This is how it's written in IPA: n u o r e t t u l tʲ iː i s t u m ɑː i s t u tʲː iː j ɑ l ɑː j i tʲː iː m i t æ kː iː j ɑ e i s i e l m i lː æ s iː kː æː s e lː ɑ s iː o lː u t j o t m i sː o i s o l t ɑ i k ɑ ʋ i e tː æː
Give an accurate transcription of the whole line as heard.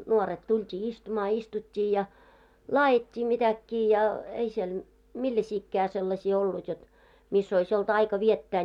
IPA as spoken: n u o r e t t u l tʲ iː i s t u m ɑː i s t u tʲː iː j ɑ l ɑː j i tʲː iː m i t æ kː iː j ɑ e i s i e l m i lː æ s iː kː æː s e lː ɑ s iː o lː u t j o t m i sː o i s o l t ɑ i k ɑ ʋ i e tː æː